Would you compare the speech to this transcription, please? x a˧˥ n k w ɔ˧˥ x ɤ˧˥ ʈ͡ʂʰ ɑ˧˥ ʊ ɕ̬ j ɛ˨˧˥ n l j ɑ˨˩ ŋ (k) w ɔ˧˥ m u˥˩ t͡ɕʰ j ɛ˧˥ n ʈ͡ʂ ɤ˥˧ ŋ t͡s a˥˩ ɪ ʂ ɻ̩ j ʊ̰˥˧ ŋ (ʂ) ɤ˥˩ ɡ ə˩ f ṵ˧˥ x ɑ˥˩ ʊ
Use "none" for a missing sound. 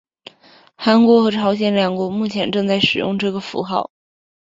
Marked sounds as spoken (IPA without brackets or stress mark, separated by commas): k, ʈ͡ʂ